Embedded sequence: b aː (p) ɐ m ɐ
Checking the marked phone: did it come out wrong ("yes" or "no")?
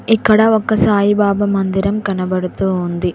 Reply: yes